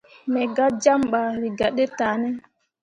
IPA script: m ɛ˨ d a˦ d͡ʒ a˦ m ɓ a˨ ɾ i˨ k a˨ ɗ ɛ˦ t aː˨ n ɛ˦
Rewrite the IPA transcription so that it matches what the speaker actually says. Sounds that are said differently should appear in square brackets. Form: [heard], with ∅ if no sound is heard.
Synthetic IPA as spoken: m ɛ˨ [ɡ] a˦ d͡ʒ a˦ m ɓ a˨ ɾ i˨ [ɡ] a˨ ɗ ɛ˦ t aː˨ n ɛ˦